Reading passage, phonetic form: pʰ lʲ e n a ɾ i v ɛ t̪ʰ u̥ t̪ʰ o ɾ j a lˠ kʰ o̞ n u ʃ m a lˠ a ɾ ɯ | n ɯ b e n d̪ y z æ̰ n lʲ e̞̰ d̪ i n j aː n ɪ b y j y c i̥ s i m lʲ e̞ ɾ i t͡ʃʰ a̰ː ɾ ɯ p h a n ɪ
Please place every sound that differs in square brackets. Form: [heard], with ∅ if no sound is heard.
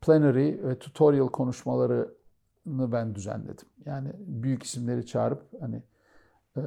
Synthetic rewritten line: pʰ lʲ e n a ɾ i v ɛ t̪ʰ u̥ t̪ʰ o ɾ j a lˠ kʰ o̞ n u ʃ m a lˠ a ɾ ɯ | n ɯ b [æ] n d̪ y z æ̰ n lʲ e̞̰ d̪ i [m] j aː n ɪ b y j y c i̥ s i m lʲ e̞ ɾ i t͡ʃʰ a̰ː ɾ ɯ p h a n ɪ